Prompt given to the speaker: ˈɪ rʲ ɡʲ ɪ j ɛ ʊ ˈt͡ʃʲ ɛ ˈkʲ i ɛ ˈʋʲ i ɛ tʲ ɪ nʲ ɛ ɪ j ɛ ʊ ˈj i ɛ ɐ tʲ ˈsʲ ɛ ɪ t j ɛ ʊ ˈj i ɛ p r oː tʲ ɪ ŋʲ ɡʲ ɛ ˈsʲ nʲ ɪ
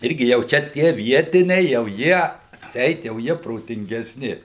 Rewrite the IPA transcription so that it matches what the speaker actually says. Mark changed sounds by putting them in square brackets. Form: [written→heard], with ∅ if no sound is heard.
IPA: ˈɪ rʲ ɡʲ ɪ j ɛ ʊ ˈt͡ʃʲ ɛ [ˈkʲ→ˈtʲ] i ɛ ˈʋʲ i ɛ tʲ ɪ nʲ ɛ ɪ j ɛ ʊ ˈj i ɛ ɐ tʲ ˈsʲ ɛ ɪ t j ɛ ʊ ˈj i ɛ p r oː tʲ ɪ ŋʲ ɡʲ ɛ ˈsʲ nʲ ɪ